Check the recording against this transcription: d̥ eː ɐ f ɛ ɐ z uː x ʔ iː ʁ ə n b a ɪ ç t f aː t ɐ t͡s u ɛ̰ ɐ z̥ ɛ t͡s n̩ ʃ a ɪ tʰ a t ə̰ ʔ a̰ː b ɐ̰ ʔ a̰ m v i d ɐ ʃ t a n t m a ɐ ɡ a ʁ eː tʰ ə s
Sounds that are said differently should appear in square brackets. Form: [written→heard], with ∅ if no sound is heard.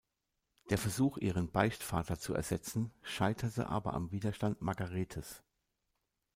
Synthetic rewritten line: d̥ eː ɐ f ɛ ɐ z uː x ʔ iː ʁ ə n b a ɪ ç t f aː t ɐ t͡s u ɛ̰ ɐ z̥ ɛ t͡s n̩ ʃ a ɪ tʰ [a→ɐ] t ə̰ ʔ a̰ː b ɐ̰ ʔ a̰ m v [i→iː] d ɐ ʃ t a n t m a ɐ ɡ a ʁ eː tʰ ə s